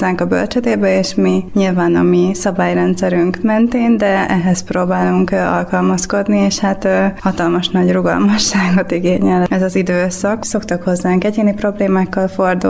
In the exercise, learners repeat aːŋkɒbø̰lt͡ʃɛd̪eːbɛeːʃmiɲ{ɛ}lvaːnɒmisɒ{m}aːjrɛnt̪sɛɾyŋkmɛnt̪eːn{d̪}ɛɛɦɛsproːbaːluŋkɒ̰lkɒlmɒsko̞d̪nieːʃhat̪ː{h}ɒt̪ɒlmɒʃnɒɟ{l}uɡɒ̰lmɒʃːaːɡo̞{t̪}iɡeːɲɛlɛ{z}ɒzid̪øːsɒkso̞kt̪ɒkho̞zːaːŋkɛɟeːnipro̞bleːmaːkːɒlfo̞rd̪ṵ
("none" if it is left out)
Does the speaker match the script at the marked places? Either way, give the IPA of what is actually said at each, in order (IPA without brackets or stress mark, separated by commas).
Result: i, b, d̪, h, r, t̪, z